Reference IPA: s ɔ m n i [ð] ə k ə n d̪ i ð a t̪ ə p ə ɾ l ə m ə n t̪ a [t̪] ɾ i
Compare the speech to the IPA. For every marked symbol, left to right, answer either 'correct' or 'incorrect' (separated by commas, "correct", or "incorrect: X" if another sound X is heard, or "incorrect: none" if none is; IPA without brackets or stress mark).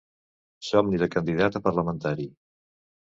correct, incorrect: none